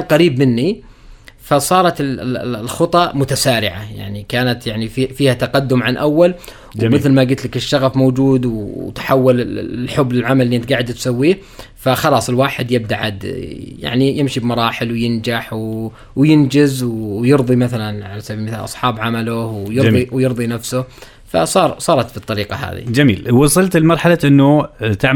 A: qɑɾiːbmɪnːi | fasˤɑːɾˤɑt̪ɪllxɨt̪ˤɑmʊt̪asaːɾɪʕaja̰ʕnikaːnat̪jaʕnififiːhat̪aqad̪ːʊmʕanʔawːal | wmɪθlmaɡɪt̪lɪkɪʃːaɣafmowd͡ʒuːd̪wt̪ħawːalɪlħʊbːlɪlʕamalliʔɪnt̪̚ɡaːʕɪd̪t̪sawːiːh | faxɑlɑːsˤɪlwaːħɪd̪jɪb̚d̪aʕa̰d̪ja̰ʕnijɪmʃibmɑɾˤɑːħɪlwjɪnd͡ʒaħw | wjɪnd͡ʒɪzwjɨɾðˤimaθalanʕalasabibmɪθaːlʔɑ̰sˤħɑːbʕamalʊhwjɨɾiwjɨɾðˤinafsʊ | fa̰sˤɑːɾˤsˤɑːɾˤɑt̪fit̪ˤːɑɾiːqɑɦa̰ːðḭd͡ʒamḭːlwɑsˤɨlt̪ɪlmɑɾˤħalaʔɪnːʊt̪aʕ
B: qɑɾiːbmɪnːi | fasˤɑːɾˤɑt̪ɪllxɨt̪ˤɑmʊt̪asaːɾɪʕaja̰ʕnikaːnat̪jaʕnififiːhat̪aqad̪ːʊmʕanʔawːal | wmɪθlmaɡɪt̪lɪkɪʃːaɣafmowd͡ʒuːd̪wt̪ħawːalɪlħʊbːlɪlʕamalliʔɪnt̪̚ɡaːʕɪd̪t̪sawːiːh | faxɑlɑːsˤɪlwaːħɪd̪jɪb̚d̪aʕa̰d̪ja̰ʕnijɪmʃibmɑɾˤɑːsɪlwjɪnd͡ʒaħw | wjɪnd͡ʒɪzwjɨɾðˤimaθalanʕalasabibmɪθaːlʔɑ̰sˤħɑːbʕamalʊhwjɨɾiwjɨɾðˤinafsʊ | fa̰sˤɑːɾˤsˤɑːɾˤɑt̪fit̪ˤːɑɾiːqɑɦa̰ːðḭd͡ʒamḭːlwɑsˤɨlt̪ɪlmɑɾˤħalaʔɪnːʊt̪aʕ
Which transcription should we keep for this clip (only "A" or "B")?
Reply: A